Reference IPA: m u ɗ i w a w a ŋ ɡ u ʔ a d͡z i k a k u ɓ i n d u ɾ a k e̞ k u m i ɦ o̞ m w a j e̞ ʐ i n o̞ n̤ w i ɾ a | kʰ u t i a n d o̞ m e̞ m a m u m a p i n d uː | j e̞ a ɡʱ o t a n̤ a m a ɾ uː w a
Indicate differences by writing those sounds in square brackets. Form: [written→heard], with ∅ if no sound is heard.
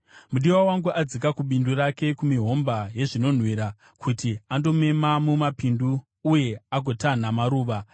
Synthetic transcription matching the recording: m u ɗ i w a w a ŋ ɡ u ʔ a d͡z i k a k u ɓ i n d u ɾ a k e̞ k u m i ɦ o̞ m [w→b] a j e̞ ʐ i n o̞ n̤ w i ɾ a | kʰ u t i a n d o̞ m e̞ m a m u m a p i n d uː | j e̞ a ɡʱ o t a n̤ a m a ɾ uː [w→ʋ] a